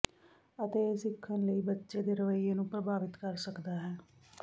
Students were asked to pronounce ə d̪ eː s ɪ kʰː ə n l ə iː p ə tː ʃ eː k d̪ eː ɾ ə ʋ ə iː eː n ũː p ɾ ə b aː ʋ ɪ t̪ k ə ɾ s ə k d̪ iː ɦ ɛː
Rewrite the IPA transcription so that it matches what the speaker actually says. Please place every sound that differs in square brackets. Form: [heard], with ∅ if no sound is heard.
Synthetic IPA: ə [t̪] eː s ɪ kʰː ə n l ə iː [b] ə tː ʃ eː [∅] d̪ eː ɾ ə ʋ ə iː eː n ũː p ɾ ə b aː ʋ ɪ t̪ k ə ɾ s ə k d̪ [aː] ɦ ɛː